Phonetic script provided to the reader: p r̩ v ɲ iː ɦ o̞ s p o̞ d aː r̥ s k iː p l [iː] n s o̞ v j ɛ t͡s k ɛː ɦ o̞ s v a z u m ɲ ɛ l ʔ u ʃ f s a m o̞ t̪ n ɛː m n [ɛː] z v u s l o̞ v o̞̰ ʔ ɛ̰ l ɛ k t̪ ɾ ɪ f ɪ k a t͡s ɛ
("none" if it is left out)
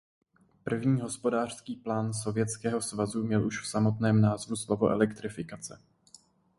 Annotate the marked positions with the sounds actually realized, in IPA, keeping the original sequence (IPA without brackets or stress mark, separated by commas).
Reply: aː, aː